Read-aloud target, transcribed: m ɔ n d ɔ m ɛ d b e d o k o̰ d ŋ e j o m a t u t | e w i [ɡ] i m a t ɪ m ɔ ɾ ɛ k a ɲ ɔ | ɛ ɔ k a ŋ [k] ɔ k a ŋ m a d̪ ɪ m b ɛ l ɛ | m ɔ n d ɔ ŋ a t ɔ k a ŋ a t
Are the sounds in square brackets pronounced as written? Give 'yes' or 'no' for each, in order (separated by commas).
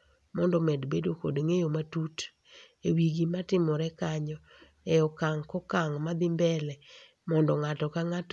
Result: yes, yes